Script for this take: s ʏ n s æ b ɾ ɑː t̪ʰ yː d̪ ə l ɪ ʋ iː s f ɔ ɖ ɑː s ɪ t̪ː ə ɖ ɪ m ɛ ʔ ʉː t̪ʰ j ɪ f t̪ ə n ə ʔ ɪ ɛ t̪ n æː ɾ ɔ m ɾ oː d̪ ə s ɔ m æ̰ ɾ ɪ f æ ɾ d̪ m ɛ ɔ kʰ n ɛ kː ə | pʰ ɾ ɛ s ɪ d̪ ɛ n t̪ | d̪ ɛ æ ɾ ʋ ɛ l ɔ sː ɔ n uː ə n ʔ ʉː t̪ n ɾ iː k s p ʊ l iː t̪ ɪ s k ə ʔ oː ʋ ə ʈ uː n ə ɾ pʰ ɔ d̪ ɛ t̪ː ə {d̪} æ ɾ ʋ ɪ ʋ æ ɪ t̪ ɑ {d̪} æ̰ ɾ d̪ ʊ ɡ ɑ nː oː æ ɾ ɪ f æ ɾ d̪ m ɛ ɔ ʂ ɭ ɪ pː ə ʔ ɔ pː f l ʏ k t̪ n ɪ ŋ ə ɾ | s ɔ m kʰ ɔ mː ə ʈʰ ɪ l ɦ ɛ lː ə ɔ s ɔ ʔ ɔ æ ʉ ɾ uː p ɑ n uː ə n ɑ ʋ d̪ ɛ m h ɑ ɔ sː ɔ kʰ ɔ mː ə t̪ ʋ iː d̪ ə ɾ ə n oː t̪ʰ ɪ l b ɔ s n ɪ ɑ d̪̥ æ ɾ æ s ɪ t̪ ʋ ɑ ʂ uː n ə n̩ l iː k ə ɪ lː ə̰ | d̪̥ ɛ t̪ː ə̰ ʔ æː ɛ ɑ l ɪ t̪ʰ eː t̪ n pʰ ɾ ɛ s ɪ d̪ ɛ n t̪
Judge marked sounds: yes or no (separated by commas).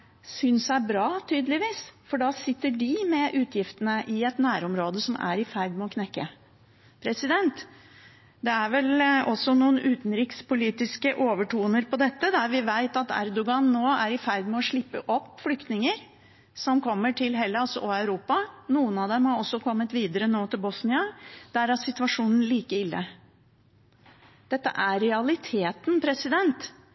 yes, no